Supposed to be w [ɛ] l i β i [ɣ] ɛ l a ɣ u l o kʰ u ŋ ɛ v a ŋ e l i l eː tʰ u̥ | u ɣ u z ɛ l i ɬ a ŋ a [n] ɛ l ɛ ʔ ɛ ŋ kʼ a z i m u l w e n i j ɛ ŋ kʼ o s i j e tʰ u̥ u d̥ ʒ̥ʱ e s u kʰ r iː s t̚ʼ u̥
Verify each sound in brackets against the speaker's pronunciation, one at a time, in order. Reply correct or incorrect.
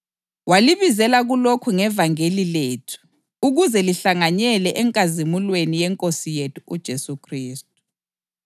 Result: incorrect, incorrect, incorrect

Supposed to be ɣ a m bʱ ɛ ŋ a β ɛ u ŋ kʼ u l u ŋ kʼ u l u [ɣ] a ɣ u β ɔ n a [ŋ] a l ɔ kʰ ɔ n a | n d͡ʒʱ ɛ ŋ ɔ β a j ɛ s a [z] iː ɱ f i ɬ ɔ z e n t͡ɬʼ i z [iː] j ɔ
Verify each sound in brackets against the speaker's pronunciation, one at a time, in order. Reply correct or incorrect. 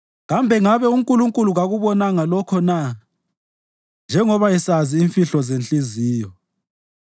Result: correct, correct, correct, correct

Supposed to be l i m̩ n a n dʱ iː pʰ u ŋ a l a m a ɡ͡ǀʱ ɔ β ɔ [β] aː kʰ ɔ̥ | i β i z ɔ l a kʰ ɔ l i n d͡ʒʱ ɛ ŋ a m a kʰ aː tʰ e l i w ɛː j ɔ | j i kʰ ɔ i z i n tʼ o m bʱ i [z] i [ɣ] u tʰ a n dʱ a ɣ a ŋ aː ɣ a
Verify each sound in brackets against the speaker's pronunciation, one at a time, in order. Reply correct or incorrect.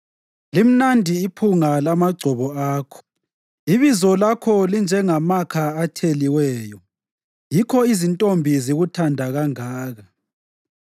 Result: incorrect, correct, correct

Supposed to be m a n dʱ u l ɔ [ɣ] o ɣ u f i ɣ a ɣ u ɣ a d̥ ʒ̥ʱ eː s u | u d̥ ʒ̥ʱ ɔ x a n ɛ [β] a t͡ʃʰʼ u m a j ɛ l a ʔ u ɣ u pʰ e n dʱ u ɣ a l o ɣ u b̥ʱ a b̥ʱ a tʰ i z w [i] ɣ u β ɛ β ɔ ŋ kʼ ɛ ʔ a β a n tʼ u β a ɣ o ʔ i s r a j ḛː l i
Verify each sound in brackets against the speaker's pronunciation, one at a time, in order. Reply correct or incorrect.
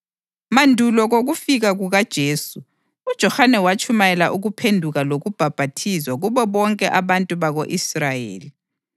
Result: correct, incorrect, incorrect

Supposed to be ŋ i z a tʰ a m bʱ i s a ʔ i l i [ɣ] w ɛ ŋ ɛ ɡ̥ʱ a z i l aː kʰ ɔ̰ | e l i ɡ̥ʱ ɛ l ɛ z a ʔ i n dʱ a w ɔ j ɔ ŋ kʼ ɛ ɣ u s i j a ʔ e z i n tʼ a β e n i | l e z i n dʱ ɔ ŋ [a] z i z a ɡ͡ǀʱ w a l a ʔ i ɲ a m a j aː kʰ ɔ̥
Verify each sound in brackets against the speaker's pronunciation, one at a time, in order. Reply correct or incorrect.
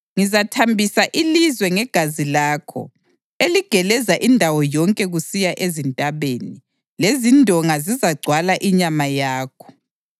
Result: incorrect, correct

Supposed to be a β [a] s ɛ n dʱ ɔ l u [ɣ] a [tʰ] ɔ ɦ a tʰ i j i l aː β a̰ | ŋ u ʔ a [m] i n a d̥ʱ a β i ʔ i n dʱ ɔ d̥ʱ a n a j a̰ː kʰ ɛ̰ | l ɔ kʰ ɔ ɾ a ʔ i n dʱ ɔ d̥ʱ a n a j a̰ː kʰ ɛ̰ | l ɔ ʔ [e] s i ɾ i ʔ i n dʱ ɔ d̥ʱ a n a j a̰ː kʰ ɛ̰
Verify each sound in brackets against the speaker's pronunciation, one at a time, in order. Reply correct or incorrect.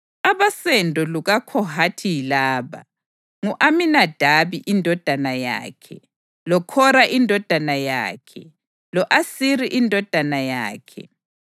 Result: correct, correct, incorrect, correct, incorrect

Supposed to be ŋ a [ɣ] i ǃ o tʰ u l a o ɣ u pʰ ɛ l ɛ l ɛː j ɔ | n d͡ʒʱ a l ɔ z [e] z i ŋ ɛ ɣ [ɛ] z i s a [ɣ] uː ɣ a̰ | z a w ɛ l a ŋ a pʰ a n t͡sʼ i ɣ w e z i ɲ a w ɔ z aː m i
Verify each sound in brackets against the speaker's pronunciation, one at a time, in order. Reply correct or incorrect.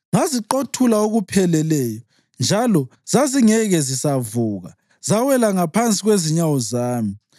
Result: incorrect, incorrect, correct, incorrect

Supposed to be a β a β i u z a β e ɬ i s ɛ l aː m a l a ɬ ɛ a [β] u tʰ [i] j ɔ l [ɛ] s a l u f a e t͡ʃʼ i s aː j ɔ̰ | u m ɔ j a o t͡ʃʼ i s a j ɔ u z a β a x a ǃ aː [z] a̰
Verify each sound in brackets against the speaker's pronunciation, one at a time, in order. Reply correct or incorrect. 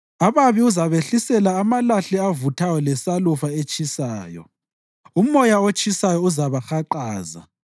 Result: incorrect, incorrect, correct, correct

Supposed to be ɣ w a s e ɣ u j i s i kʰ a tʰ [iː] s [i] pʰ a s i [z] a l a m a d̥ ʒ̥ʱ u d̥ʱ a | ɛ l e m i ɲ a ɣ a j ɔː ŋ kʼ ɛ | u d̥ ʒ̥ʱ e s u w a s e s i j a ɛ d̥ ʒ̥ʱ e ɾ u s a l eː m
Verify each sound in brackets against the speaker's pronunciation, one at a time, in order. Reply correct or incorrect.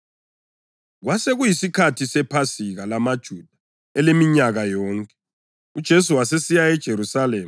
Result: incorrect, incorrect, incorrect

